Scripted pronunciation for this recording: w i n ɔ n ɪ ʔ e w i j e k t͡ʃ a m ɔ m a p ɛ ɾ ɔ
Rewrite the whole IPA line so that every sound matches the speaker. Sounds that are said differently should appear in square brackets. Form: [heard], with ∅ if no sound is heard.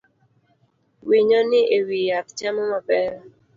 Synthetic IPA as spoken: w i [ɲ] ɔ n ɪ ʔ e w i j [a] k t͡ʃ a m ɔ m a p ɛ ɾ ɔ